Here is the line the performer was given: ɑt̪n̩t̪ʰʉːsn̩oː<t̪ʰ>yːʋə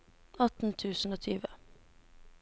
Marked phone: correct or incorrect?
correct